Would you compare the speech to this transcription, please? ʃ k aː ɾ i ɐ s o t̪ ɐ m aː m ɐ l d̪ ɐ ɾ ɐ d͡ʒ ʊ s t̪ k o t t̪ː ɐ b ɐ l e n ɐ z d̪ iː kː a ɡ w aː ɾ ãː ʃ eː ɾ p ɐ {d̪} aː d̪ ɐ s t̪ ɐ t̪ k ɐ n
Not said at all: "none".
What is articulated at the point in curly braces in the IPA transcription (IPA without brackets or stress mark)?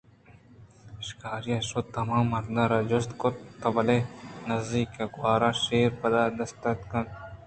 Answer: d̪